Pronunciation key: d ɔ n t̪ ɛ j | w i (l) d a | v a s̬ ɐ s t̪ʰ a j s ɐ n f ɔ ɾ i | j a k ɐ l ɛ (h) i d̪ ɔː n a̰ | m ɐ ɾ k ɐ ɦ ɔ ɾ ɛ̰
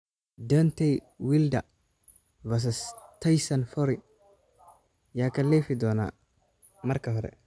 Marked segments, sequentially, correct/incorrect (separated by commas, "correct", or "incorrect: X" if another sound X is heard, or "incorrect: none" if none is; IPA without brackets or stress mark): correct, incorrect: f